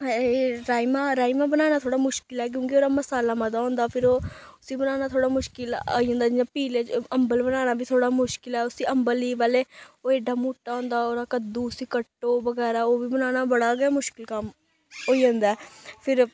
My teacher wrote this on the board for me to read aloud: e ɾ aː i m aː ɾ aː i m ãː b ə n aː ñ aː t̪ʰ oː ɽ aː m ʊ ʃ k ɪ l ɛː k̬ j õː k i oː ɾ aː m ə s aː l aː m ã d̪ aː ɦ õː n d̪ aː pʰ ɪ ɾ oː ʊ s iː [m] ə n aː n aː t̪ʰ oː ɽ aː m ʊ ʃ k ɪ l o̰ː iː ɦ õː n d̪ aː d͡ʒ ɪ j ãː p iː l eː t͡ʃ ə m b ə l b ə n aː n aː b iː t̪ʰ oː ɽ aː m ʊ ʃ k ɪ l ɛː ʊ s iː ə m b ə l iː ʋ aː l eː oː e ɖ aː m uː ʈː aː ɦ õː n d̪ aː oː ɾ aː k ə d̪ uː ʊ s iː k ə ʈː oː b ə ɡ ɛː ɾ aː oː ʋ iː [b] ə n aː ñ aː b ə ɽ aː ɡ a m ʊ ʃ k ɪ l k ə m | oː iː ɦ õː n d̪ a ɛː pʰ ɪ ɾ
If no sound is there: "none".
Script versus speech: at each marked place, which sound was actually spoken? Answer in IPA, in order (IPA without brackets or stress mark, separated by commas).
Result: b, b